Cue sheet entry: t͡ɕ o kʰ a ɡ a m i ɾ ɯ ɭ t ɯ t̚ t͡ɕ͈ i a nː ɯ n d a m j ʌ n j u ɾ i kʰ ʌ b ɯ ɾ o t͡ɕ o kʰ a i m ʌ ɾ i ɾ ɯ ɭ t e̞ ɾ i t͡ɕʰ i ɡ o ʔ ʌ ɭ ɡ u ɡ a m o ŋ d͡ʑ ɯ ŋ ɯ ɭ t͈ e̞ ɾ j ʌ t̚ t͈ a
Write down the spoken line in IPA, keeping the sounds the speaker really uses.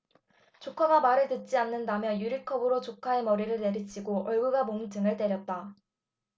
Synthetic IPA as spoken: t͡ɕ o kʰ a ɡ a m a ɾ ɯ ɭ t ɯ t̚ t͡ɕ͈ i a nː ɯ n d a m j ʌ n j u ɾ i kʰ ʌ b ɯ ɾ o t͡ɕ o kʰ a e m ʌ ɾ i ɾ ɯ ɭ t e̞ ɾ i t͡ɕʰ i ɡ o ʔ ʌ ɭ ɡ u ɡ a m o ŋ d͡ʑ ɯ ŋ ɯ ɭ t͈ e̞ ɾ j ʌ t̚ t͈ a